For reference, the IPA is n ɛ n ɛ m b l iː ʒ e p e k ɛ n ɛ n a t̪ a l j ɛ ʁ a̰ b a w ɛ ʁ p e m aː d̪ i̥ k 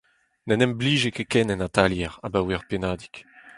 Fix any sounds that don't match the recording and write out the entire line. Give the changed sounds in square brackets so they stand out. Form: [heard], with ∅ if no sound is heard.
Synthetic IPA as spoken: n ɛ n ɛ m b l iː ʒ e [k] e k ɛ n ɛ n a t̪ a l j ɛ ʁ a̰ b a w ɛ ʁ p e [n] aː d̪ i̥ k